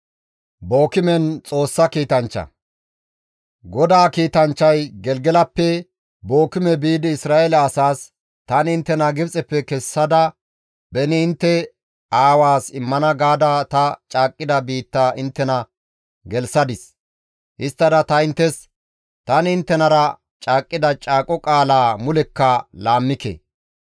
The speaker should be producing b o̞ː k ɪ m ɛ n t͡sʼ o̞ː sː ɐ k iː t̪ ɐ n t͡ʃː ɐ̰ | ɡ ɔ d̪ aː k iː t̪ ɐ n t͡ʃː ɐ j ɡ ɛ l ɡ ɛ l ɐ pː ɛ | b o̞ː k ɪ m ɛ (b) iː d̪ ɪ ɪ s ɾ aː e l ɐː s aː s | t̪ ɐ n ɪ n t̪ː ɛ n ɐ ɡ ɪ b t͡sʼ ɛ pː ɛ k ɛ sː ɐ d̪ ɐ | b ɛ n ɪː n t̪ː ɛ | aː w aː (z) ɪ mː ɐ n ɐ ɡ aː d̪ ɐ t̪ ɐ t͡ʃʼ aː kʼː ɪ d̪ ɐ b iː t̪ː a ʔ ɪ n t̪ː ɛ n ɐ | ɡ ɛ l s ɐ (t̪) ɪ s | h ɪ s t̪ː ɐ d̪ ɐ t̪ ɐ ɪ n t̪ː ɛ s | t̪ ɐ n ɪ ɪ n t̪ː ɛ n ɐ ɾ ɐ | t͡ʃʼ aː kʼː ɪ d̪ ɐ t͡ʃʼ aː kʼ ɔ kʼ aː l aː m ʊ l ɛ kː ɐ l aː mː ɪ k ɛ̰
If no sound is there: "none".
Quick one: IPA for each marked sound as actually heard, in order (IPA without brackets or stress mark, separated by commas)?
b, s, d̪